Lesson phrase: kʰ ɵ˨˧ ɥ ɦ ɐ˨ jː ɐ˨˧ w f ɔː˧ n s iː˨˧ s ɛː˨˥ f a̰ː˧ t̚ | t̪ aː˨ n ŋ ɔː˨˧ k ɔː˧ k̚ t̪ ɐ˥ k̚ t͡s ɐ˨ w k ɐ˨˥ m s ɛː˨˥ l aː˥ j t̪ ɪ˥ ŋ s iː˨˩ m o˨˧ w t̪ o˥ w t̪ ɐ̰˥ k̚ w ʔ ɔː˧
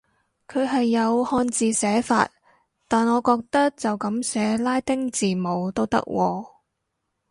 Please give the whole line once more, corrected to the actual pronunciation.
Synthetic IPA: kʰ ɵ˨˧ ɥ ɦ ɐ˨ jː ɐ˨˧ w h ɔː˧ n t͡s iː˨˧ s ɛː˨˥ f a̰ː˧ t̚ | t̪ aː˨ n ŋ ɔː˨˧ k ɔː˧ k̚ t̪ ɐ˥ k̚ t͡s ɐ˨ w k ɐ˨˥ m s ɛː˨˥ l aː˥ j t̪ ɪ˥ ŋ t͡s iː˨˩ m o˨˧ w t̪ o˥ w t̪ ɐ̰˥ k̚ w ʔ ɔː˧